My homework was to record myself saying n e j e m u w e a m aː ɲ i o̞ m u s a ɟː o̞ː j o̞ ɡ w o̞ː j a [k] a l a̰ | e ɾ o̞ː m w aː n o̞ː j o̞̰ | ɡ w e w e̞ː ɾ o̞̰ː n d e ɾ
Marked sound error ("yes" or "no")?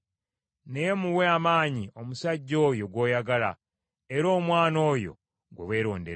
yes